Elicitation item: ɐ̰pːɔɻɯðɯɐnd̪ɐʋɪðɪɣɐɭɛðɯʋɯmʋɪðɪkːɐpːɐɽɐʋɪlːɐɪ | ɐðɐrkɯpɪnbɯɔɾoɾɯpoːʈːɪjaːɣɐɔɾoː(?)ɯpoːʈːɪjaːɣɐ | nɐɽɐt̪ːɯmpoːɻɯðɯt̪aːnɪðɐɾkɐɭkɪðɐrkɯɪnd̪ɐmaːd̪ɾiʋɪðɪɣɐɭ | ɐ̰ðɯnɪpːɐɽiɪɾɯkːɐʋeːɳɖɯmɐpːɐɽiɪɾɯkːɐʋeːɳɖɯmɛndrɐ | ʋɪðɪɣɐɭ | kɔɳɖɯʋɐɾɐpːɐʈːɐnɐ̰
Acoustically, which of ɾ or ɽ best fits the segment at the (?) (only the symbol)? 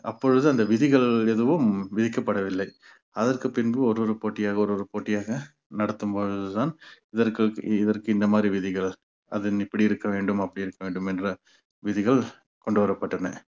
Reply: ɾ